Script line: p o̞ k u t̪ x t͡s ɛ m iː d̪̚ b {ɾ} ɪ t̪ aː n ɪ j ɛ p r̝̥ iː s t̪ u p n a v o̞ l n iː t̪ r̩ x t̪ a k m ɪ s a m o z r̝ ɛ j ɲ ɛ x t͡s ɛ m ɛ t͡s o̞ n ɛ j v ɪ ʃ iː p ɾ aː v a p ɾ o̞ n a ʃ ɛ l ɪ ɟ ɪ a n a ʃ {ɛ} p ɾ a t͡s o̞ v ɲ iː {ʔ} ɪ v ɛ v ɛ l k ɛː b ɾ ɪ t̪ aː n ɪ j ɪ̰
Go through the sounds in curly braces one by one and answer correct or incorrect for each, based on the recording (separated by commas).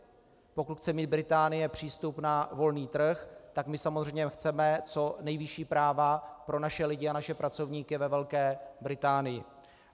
correct, correct, incorrect